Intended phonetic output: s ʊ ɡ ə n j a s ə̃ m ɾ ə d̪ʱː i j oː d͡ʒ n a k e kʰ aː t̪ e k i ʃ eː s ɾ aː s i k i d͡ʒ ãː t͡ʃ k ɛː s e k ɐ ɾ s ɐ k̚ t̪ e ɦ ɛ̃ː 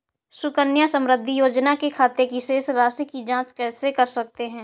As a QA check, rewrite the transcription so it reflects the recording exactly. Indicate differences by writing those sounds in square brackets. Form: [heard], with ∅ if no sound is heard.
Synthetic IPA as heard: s ʊ [k] ə n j a s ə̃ m ɾ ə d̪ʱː i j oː d͡ʒ n a k e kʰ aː t̪ e k i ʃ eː s ɾ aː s i k i d͡ʒ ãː t͡ʃ k ɛː s e k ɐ ɾ s ɐ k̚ t̪ e ɦ ɛ̃ː